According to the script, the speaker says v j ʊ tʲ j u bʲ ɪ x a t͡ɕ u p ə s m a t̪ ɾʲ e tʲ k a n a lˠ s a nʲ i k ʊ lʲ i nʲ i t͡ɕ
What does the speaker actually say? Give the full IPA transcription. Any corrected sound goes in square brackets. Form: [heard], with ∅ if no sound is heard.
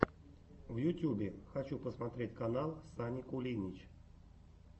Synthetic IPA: v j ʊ tʲ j u bʲ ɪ x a t͡ɕ u p ə s m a t̪ ɾʲ e tʲ k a n a lˠ s a nʲ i k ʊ lʲ i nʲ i t͡ɕ